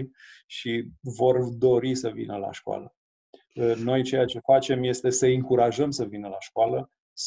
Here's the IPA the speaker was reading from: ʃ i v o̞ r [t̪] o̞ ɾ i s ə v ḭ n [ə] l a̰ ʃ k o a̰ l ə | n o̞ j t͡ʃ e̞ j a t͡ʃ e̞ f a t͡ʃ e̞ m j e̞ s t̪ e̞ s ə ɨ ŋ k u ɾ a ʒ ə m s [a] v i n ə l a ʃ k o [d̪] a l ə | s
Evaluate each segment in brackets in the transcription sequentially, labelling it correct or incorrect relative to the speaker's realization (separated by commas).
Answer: incorrect, correct, incorrect, incorrect